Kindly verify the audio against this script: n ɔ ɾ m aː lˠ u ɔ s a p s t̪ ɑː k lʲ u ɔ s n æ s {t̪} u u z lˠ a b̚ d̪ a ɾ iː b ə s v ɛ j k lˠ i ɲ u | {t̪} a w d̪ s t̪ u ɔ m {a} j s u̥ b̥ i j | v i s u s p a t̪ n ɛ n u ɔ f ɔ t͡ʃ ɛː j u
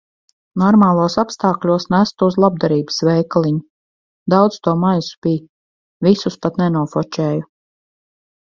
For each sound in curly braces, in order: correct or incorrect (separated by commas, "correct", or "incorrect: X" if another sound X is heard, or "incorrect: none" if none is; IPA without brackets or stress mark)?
correct, incorrect: d̪, correct